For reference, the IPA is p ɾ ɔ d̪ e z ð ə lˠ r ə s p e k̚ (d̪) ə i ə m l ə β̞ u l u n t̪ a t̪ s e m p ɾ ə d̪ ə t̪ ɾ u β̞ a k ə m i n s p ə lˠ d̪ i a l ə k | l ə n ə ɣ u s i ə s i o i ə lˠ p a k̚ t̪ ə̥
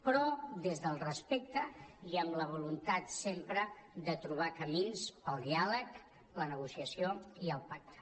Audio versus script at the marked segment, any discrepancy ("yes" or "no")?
yes